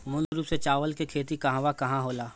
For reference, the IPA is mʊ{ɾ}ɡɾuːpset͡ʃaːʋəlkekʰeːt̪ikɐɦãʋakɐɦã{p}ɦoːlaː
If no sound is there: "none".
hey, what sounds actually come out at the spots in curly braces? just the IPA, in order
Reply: l, none

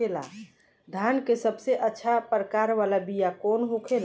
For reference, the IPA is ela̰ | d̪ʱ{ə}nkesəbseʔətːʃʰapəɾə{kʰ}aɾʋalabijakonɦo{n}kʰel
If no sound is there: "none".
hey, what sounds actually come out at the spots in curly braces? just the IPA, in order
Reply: a, k, none

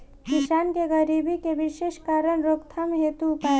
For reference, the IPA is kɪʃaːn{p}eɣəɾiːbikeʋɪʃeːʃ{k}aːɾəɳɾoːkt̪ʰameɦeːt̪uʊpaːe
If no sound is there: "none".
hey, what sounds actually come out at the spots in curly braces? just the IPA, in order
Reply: k, k

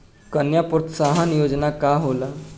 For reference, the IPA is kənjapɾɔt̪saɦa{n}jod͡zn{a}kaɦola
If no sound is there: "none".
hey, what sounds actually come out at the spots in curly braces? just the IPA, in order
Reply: n, a

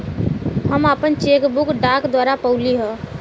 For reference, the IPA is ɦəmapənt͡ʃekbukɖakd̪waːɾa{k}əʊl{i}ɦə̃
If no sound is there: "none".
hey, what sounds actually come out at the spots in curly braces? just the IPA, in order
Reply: p, i

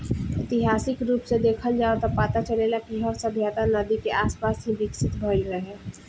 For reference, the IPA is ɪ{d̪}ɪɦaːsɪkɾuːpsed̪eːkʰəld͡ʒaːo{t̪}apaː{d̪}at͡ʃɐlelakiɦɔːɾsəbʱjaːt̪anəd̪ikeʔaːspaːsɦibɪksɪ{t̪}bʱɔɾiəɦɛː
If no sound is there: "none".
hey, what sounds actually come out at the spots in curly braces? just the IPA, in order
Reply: t̪, t̪, t̪, t̪

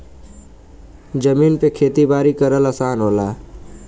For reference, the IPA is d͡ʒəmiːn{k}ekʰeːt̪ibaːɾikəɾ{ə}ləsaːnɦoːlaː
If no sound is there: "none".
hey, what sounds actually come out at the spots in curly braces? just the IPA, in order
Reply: p, ə

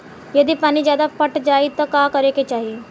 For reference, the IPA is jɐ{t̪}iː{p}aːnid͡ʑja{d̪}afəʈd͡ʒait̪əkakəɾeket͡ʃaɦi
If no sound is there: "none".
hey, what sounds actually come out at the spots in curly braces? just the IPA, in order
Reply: d̪, p, d̪

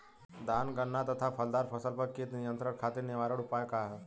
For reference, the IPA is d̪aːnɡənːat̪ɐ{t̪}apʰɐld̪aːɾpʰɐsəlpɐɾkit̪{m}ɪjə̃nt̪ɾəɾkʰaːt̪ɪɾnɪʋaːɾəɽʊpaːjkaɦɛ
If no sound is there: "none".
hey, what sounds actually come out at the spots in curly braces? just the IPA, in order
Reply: t̪ʰ, n

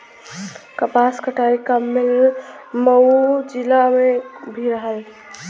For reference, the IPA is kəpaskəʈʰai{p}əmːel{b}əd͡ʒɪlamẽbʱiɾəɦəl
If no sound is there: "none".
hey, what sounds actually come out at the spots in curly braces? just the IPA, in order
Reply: k, m

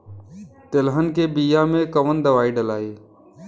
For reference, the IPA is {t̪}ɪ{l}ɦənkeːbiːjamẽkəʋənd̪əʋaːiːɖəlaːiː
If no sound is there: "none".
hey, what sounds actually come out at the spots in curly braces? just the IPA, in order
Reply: t̪, l

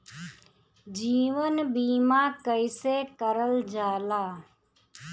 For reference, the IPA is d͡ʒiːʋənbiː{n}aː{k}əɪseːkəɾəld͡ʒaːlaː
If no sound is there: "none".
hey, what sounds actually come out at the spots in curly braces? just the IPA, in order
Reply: m, k

